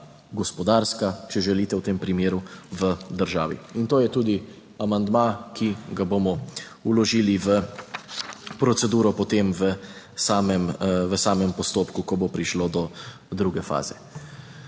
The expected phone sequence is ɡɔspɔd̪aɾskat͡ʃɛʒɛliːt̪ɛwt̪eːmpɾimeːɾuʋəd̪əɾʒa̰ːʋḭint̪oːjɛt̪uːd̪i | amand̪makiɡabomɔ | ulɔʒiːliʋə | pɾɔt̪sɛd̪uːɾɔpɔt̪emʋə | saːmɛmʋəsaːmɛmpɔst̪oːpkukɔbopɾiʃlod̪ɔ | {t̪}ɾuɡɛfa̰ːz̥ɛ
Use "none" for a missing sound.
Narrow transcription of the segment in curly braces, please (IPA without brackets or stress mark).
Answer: d̪